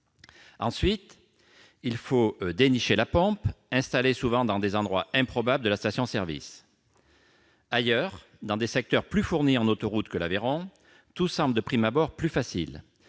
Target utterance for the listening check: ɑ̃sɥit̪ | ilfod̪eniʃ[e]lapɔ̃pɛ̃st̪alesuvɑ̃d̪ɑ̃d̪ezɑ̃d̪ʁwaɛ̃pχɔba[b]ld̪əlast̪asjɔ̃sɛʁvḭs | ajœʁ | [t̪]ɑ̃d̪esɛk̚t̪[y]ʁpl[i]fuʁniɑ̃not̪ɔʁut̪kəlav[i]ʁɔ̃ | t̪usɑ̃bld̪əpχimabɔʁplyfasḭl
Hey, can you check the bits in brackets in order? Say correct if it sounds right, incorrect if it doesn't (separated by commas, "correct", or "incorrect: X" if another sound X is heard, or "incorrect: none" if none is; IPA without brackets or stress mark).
correct, correct, incorrect: d̪, incorrect: œ, incorrect: y, incorrect: e